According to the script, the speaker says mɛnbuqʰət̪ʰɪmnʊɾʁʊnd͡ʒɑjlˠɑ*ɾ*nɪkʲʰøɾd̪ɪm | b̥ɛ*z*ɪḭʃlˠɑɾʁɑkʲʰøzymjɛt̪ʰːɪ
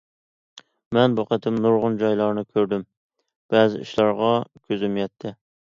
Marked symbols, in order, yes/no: yes, yes

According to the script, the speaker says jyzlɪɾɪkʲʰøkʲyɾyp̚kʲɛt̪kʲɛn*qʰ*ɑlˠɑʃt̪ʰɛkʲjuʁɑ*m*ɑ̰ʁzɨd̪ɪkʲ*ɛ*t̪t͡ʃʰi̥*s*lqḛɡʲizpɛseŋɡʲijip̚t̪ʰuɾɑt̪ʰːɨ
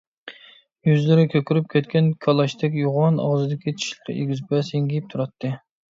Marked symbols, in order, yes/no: no, no, no, no

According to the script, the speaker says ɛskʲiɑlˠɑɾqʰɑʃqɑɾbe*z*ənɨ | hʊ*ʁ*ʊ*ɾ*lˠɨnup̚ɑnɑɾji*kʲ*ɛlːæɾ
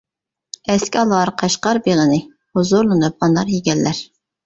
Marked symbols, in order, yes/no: no, no, yes, no

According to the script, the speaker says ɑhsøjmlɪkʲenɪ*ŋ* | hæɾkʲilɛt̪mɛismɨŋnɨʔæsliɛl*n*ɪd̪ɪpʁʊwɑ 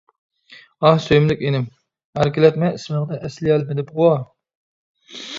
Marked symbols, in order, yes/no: no, no

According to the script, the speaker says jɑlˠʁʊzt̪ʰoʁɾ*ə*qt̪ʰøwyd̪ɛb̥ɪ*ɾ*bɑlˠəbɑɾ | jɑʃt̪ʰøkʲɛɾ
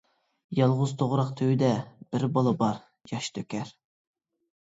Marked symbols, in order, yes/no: no, yes

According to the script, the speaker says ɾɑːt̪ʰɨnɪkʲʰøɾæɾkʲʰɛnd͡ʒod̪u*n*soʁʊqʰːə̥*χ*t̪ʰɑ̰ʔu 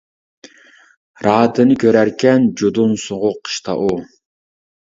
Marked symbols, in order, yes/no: yes, no

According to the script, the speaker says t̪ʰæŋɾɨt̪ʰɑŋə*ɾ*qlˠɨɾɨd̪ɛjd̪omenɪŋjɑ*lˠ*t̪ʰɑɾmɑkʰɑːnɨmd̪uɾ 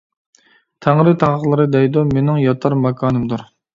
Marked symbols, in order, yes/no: no, no

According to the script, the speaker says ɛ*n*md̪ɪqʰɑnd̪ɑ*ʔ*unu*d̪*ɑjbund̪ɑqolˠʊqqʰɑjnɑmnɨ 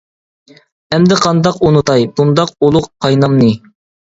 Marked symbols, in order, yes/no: no, no, no

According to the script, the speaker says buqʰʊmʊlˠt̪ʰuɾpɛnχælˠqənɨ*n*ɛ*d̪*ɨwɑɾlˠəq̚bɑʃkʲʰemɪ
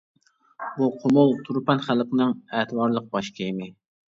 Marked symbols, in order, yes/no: no, no

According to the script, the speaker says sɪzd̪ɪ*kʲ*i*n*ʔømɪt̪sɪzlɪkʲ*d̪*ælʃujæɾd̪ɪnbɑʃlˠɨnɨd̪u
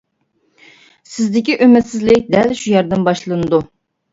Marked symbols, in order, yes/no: yes, no, yes

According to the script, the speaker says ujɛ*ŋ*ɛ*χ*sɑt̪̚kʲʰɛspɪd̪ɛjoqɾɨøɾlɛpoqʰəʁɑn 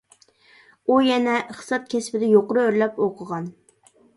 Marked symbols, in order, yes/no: no, yes

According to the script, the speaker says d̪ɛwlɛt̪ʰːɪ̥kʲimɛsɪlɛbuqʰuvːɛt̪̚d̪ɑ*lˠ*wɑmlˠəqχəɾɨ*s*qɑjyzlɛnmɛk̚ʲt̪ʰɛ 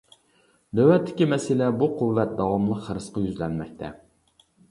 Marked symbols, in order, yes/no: no, yes

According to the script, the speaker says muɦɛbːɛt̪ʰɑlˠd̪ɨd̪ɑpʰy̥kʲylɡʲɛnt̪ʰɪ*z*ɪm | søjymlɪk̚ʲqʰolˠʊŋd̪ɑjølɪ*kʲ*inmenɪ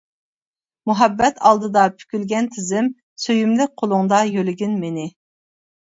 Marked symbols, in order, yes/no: yes, no

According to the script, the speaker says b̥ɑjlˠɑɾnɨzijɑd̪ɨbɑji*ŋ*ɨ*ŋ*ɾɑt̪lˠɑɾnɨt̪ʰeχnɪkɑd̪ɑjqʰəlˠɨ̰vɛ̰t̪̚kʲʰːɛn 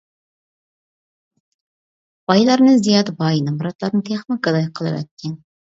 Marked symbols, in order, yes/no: no, no

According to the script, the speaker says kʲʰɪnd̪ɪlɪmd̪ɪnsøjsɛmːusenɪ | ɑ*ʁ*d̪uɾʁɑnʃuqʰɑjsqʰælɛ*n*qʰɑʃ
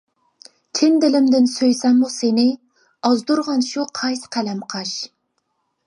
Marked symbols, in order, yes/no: no, no

